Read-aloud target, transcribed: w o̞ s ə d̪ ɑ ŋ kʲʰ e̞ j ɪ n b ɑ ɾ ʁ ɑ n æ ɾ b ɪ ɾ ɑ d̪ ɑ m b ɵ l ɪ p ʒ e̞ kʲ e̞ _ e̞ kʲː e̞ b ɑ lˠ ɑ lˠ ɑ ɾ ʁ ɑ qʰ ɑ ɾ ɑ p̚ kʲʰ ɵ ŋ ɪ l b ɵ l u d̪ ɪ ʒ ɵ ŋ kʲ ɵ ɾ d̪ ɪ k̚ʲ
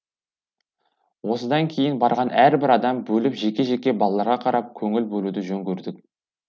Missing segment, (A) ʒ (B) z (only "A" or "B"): A